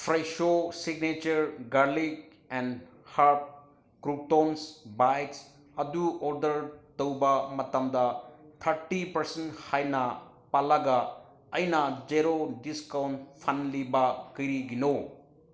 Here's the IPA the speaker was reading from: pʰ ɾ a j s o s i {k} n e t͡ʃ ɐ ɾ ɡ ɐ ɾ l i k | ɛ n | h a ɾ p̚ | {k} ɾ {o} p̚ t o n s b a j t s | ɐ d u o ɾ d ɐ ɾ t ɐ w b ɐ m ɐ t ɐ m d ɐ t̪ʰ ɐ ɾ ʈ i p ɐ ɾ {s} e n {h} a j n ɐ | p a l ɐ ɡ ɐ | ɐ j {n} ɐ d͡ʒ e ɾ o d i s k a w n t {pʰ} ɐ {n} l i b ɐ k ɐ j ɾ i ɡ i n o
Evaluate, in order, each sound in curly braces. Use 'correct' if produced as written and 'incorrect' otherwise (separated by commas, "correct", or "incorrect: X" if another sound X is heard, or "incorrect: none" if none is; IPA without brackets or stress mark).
incorrect: ɡ, correct, incorrect: u, correct, correct, correct, correct, correct